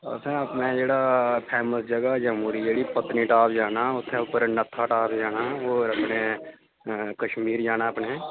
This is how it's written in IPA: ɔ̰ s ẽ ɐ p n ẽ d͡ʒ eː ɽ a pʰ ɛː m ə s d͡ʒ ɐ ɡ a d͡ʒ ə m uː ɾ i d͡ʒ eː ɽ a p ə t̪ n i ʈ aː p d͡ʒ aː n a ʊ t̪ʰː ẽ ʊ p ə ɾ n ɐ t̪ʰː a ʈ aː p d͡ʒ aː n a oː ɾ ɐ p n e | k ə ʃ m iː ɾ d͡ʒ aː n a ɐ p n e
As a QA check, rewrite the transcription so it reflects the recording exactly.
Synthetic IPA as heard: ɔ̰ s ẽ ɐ p n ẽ d͡ʒ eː ɽ a pʰ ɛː m ə s d͡ʒ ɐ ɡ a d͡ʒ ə m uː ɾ i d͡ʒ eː ɽ i p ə t̪ n i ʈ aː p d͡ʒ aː n a ʊ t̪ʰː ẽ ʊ p ə ɾ n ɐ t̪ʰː a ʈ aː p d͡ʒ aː n a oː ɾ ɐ p n e | k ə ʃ m iː ɾ d͡ʒ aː n a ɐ p n e